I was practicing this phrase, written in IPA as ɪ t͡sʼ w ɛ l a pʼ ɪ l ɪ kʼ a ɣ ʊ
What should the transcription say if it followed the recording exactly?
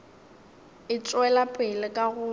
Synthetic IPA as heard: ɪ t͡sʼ w ɛ l a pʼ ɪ l ɪ kʼ a ɣ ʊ